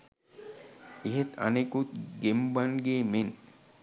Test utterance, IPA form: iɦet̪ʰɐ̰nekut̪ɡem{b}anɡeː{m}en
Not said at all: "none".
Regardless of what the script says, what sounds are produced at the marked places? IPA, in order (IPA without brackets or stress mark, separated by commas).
b, m